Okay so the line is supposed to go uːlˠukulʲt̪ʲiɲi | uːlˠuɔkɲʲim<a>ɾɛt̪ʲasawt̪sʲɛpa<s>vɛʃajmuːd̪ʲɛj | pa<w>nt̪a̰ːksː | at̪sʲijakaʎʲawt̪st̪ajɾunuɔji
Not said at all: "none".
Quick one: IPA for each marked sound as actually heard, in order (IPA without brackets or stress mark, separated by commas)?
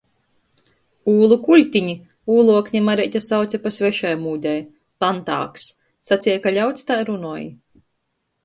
a, s, none